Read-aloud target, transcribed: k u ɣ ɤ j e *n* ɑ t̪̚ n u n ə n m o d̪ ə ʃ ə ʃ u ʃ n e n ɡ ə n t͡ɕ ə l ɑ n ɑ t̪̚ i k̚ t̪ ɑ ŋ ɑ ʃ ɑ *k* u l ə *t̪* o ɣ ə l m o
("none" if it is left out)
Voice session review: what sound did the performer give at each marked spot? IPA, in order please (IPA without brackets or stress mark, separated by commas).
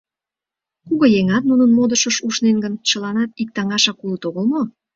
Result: ŋ, k, t̪